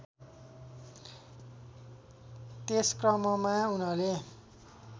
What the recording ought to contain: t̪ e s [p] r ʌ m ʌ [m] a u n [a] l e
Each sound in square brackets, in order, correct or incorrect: incorrect: k, correct, incorrect: ʌ

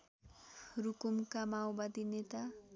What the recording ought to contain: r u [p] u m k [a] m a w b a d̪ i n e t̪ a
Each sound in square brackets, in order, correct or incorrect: incorrect: k, correct

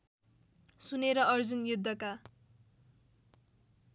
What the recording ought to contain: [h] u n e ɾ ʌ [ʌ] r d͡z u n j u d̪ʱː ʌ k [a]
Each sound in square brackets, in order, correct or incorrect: incorrect: s, correct, correct

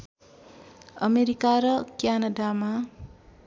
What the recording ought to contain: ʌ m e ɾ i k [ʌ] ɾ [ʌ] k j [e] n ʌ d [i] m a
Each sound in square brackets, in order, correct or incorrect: incorrect: a, correct, incorrect: a, incorrect: a

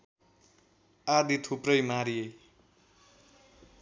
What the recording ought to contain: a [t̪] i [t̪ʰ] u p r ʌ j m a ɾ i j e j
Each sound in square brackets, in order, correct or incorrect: incorrect: d̪, correct

